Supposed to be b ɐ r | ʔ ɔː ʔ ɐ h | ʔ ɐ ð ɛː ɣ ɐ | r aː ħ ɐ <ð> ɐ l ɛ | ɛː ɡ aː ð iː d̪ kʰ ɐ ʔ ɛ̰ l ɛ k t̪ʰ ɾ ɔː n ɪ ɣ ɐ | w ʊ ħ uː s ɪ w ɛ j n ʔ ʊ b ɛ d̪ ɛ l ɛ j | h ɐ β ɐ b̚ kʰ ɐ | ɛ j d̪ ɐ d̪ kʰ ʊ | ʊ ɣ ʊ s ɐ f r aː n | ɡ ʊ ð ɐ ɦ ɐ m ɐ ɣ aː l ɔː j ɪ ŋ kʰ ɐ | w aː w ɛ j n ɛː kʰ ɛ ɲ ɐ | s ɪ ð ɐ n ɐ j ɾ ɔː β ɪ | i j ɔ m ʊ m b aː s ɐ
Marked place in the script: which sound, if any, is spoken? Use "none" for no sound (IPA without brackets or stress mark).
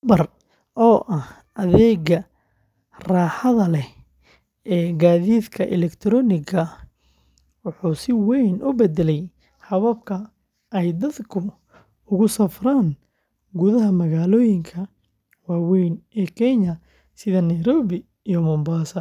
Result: ð